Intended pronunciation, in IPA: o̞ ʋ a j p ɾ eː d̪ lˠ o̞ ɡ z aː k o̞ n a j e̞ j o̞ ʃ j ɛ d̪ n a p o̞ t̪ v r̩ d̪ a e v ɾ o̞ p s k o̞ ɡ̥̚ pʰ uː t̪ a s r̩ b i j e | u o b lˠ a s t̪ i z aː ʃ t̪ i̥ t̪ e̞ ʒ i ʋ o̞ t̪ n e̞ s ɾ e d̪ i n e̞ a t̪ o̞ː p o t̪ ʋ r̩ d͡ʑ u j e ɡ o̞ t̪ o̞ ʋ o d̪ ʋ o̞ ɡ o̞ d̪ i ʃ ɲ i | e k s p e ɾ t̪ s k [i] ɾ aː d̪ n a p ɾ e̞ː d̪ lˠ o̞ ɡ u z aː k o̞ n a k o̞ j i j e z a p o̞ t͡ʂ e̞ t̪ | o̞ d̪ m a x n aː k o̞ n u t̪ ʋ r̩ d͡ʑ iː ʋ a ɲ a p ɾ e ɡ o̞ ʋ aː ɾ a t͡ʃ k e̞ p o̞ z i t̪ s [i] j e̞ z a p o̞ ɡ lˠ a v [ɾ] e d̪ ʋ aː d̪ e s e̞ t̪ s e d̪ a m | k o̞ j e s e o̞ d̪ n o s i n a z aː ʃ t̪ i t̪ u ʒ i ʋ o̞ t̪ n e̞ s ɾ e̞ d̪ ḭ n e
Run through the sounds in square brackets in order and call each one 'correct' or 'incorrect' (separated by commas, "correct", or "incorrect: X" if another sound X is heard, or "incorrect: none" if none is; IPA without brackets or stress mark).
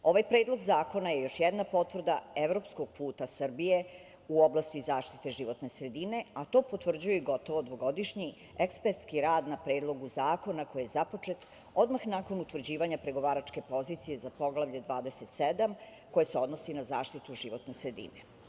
correct, correct, incorrect: ʎ